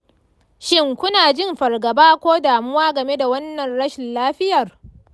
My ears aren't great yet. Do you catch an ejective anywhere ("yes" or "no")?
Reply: no